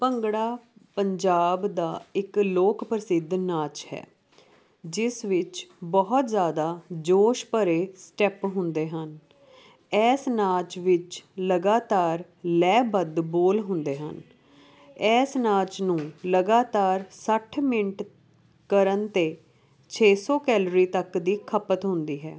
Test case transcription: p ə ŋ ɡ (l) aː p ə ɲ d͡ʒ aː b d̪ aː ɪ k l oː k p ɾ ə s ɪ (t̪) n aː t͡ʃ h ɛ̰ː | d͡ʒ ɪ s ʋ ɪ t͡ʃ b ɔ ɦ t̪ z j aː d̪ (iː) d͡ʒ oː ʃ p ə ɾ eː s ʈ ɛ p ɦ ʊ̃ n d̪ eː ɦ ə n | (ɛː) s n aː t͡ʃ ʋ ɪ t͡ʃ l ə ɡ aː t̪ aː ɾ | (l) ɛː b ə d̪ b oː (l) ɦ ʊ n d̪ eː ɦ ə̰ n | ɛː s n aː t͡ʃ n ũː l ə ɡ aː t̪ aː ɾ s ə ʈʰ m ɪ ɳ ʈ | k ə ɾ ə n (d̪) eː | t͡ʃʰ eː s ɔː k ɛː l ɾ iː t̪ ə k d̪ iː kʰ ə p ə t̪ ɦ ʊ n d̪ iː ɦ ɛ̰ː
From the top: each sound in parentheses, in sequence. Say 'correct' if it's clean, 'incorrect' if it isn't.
incorrect, incorrect, incorrect, correct, correct, correct, incorrect

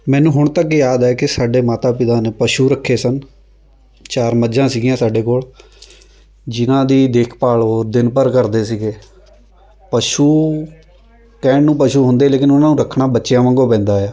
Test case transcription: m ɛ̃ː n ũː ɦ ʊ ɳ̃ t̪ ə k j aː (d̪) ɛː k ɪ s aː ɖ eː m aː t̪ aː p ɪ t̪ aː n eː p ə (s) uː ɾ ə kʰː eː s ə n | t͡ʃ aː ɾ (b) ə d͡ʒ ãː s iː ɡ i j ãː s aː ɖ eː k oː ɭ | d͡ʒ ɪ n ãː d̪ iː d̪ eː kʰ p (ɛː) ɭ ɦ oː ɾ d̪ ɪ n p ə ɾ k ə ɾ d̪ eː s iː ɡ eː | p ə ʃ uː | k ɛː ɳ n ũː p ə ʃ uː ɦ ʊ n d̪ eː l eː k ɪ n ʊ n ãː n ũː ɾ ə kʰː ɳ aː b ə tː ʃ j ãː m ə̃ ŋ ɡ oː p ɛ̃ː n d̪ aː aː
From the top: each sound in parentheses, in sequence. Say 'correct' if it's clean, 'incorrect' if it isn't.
correct, incorrect, incorrect, incorrect

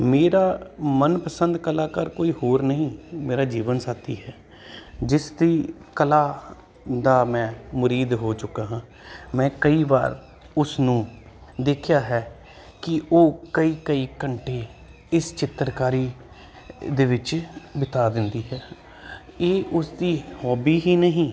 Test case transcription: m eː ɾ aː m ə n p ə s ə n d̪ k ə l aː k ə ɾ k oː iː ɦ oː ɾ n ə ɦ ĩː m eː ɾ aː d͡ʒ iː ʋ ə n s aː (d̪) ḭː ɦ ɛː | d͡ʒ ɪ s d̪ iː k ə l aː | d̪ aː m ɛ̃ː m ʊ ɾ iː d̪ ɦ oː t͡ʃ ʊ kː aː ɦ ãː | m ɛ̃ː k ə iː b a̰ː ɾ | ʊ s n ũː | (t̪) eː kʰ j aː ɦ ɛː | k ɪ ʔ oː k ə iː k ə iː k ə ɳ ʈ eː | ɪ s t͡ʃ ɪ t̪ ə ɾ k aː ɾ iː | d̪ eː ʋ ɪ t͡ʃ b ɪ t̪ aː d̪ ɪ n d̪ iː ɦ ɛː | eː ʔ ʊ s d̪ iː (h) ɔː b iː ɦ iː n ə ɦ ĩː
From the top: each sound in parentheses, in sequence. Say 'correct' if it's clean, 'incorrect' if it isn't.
incorrect, incorrect, correct

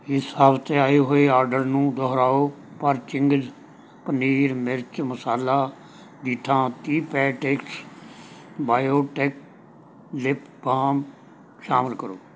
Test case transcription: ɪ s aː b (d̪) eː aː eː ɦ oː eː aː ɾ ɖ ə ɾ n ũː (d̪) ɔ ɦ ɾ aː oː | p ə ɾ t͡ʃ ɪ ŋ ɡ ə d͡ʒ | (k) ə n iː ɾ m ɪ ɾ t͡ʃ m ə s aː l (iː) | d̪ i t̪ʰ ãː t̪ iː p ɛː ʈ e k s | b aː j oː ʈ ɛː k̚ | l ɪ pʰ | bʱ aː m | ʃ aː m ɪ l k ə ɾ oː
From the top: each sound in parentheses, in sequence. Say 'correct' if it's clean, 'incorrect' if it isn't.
incorrect, correct, incorrect, incorrect

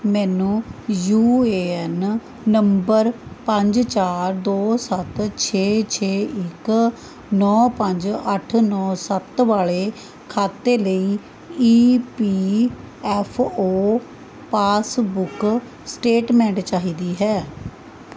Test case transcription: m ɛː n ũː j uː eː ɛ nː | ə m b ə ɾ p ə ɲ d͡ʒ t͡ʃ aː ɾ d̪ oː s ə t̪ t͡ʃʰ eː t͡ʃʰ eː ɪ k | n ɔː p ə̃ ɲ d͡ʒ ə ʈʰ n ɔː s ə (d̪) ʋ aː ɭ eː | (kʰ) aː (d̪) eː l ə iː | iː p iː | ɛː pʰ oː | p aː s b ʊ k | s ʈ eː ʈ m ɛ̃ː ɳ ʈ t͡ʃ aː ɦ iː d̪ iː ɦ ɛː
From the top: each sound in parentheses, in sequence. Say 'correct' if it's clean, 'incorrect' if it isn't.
incorrect, correct, incorrect

